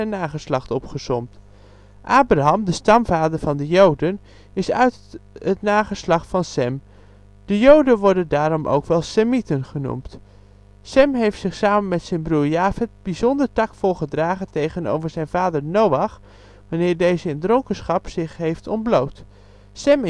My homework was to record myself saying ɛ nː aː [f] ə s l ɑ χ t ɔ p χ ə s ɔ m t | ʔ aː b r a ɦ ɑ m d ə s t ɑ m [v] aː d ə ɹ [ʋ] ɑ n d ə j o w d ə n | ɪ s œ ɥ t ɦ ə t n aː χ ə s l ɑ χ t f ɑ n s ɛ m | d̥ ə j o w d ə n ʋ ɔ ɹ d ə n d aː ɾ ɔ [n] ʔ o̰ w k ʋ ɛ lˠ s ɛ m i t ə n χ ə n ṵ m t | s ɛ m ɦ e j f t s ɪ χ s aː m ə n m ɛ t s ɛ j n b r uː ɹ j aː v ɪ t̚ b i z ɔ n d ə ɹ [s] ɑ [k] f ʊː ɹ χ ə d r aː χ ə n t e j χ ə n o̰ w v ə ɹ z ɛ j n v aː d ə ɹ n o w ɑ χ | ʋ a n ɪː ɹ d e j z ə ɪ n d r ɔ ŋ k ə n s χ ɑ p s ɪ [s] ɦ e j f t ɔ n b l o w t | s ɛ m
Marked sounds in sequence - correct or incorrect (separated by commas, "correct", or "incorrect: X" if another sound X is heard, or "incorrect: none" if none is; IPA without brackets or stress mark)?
incorrect: χ, correct, incorrect: v, incorrect: m, incorrect: t, correct, incorrect: χ